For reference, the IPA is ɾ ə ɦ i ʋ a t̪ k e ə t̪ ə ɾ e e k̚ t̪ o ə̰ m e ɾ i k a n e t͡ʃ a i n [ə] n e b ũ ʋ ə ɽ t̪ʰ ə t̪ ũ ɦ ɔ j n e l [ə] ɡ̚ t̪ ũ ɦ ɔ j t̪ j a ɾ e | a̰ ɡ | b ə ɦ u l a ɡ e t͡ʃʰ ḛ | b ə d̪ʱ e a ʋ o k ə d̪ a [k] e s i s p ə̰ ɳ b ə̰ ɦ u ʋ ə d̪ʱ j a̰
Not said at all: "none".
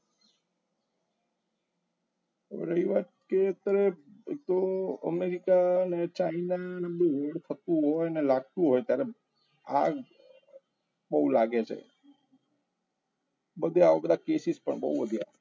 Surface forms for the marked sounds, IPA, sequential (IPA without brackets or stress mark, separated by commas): a, a, k